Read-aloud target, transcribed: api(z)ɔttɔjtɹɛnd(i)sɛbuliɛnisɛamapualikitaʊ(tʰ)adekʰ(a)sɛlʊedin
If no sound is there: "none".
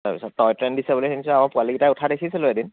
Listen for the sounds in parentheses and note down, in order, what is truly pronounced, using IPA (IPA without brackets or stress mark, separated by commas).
s, i, tʰ, i